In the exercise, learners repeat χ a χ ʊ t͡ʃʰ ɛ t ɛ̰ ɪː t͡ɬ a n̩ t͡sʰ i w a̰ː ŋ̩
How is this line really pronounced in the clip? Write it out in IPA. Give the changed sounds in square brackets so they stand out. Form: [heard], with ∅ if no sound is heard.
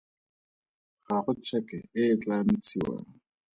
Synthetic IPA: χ a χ ʊ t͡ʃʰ ɛ [k] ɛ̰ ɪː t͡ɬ a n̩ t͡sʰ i w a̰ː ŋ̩